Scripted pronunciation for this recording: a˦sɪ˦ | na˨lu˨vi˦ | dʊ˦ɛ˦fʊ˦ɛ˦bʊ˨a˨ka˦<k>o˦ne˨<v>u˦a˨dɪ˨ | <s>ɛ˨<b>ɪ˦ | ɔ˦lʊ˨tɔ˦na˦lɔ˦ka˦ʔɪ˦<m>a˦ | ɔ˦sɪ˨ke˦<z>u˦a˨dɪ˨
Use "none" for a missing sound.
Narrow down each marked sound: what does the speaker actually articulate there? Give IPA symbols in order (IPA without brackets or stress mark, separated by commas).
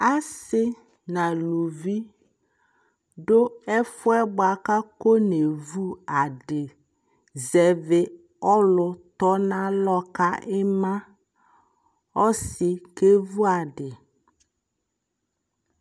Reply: k, v, z, v, m, v